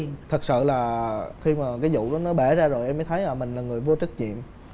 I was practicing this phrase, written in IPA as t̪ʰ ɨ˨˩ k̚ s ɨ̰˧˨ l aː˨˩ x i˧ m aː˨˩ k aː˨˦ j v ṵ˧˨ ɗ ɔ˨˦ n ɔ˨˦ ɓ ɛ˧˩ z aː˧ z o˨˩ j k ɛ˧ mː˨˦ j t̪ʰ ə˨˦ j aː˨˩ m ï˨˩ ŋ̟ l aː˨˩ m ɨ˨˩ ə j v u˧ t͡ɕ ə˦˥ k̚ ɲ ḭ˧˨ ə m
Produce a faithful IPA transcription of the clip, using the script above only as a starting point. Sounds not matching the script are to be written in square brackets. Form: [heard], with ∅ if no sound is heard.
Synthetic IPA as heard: t̪ʰ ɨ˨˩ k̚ s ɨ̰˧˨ l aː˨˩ x i˧ m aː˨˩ k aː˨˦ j [z] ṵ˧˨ ɗ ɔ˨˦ n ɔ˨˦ ɓ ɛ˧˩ z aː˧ z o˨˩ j [ʔ] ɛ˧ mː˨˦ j t̪ʰ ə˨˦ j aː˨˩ m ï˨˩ ŋ̟ l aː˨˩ [ŋ] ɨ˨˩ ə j v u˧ t͡ɕ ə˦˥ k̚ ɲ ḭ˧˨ ə m